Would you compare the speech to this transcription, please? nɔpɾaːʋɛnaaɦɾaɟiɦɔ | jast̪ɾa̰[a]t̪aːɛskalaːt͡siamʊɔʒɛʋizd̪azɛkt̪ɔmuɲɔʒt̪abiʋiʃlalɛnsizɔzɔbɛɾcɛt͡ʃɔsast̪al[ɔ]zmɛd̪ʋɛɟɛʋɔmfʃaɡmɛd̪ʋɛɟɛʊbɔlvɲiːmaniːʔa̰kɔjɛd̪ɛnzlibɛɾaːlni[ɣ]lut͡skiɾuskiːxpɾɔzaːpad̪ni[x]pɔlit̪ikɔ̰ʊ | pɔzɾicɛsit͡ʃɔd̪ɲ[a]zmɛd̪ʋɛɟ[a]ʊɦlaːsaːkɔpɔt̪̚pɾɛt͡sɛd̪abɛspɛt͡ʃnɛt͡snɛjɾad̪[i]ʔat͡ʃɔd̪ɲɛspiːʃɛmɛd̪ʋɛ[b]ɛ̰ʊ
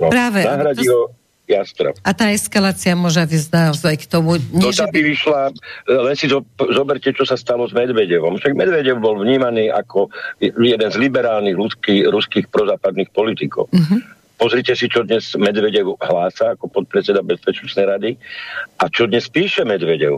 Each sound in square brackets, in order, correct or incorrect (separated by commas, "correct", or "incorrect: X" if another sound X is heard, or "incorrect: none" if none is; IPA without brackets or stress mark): correct, correct, correct, correct, incorrect: ɛ, incorrect: ɛ, correct, incorrect: ɟ